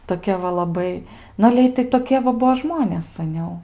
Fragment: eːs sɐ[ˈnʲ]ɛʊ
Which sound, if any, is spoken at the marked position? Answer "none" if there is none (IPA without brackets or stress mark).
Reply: nʲ